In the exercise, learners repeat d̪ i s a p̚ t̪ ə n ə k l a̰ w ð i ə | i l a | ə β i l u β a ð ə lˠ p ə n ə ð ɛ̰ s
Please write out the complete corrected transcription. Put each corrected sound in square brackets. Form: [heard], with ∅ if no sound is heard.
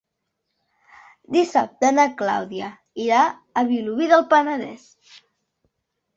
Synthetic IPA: d̪ i s a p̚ t̪ ə n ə k l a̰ w ð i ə | i [ɾ] a | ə β i l u β [i] ð ə lˠ p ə n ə ð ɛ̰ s

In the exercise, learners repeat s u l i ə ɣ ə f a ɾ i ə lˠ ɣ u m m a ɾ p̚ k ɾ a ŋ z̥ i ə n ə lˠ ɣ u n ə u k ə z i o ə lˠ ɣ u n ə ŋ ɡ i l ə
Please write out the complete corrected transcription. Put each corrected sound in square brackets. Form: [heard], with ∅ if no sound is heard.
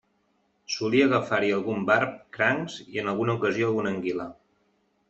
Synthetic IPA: s u l i ə ɣ ə f a ɾ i ə lˠ ɣ u m [b] a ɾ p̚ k ɾ a ŋ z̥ i ə n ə lˠ ɣ u n ə u k ə z i o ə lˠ ɣ u n ə ŋ ɡ i l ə

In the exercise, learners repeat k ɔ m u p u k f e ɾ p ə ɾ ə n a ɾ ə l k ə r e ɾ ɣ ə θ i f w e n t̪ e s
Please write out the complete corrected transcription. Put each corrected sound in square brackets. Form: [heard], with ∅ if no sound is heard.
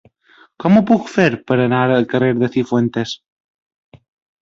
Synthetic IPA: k ɔ m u p u k f e ɾ p ə ɾ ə n a ɾ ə l k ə r e ɾ [ð] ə θ i f w e n t̪ e s

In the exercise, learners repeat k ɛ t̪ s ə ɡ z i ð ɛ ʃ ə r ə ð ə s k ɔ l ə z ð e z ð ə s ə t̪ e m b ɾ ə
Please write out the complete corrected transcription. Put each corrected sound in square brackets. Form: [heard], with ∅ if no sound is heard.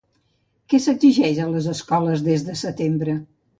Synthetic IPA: k ɛ [∅] s ə ɡ z i [ʒ] ɛ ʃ ə [l] ə [z] ə s k ɔ l ə z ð e z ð ə s ə t̪ e m b ɾ ə

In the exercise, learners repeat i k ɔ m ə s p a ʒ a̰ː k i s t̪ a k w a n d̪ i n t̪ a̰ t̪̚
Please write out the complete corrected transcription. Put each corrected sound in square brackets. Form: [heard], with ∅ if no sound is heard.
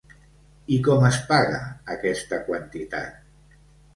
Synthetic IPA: i k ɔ m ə s p a [ɣ] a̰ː k [ɛ] s t̪ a k w a n [t̪] i [∅] t̪ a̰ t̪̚

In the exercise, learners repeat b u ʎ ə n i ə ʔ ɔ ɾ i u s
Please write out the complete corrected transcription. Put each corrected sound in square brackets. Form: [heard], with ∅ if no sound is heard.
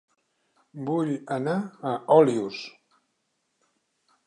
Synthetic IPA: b u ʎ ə n [a] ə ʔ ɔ [l] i u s

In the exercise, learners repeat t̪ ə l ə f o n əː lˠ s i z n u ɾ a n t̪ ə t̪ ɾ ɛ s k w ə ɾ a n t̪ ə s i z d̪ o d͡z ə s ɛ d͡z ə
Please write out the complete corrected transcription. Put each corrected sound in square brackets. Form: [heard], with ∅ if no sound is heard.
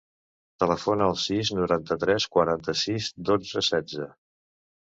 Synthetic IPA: t̪ ə l ə f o n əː lˠ s i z n u ɾ a n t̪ ə t̪ ɾ ɛ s k w ə ɾ a n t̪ ə s i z d̪ o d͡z ə s ɛ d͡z ə

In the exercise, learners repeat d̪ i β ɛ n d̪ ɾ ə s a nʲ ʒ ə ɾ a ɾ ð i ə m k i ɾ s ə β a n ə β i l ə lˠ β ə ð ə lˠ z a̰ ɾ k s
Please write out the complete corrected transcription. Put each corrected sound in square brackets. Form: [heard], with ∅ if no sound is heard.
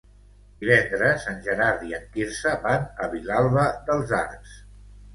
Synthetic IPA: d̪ i β ɛ n d̪ ɾ ə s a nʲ ʒ ə ɾ a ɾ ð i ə [ŋ] k i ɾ s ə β a n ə β i l [a] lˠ β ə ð ə lˠ z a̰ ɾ k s

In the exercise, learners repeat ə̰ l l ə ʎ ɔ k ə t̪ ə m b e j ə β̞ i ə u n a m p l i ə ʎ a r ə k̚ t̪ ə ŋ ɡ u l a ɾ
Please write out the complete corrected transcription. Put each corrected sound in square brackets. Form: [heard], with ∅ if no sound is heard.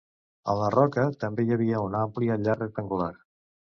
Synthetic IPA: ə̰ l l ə [r] ɔ k ə t̪ ə m b e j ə β̞ i ə u n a m p l i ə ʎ a r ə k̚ t̪ ə ŋ ɡ u l a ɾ

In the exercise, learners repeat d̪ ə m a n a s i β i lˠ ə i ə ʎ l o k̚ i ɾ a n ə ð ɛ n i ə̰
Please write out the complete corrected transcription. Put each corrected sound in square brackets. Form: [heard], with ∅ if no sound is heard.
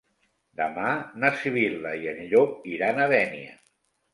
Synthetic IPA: d̪ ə m a n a s i β i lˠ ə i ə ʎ [ʎ] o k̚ i ɾ a n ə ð ɛ n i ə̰

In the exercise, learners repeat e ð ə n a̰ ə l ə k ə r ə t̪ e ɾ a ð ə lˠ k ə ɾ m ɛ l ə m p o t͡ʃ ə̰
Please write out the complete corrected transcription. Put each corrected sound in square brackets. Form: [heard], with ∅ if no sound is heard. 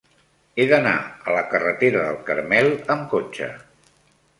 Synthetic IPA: e ð ə n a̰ ə l ə k ə r ə t̪ e ɾ [ə] ð ə lˠ k ə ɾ m ɛ l ə m [k] o t͡ʃ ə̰

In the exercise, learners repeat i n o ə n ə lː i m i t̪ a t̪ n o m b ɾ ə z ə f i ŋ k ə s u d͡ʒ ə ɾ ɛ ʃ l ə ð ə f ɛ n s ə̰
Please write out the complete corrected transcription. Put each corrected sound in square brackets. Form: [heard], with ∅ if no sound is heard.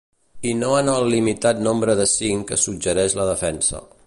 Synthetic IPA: i n o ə n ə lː i m i t̪ a t̪ n o m b ɾ ə [ð] ə [s] i ŋ k ə s u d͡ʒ ə ɾ ɛ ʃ l ə ð ə f ɛ n s ə̰

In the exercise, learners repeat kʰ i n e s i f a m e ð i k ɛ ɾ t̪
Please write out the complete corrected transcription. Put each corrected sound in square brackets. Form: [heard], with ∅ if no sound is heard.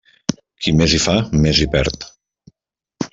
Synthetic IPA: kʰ i [m] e [z] i f a m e [z] i [p] ɛ ɾ t̪

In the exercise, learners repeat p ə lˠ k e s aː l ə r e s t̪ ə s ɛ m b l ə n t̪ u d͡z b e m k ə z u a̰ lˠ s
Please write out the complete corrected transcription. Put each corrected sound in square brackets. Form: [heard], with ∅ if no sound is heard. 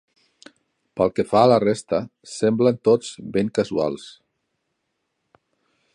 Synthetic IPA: p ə lˠ k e [f] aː l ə r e s t̪ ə s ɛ m b l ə n t̪ [o] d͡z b e [ŋ] k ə z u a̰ lˠ s

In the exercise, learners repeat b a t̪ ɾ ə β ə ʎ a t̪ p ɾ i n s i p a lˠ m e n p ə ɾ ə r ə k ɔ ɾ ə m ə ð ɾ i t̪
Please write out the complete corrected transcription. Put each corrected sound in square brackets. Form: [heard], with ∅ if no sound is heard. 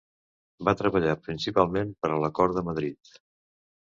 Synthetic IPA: b a t̪ ɾ ə β ə ʎ a [∅] p ɾ i n s i p a lˠ m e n p ə ɾ ə [l] ə k ɔ ɾ ə m ə ð ɾ i t̪

